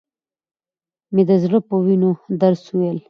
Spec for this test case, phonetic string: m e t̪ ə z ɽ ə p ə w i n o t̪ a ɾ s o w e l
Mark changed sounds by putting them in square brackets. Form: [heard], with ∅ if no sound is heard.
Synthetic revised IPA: m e [d̪] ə z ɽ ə p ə w i n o [d̪] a ɾ s [u] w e l